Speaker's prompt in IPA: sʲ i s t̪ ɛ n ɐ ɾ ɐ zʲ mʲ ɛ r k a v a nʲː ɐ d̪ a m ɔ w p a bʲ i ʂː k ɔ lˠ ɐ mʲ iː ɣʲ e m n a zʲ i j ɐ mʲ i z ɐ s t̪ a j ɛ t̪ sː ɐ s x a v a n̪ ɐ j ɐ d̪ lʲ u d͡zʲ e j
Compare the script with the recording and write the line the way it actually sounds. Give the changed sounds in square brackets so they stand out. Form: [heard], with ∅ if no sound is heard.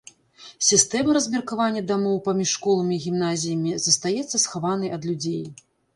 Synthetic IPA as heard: sʲ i s t̪ ɛ [m] ɐ ɾ ɐ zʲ mʲ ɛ r k a v a nʲː ɐ d̪ a m ɔ w p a [mʲ] i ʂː k ɔ lˠ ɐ mʲ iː ɣʲ [i] m n a zʲ i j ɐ mʲ i z ɐ s t̪ a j ɛ t̪ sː ɐ s x a v a n̪ ɐ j ɐ d̪ lʲ u d͡zʲ e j